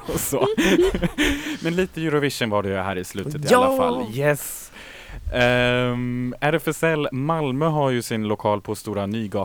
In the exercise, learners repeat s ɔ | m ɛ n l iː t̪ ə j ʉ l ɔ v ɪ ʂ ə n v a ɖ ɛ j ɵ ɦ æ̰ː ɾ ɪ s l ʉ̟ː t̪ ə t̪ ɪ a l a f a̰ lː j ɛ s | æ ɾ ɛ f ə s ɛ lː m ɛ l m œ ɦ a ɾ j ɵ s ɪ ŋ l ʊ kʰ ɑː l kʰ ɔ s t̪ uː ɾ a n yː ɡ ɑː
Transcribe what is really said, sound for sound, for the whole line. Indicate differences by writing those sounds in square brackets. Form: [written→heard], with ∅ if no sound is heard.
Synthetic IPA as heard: s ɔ | m ɛ n l iː t̪ ə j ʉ [l→ɾ] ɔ v ɪ ʂ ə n v a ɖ ɛ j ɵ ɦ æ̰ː ɾ ɪ s l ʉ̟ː t̪ ə t̪ ɪ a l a f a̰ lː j ɛ s | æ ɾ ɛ f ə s ɛ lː m [ɛ→a] l m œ ɦ a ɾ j ɵ s ɪ [ŋ→n] l ʊ kʰ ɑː l [kʰ→pʰ] ɔ s t̪ uː ɾ a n yː ɡ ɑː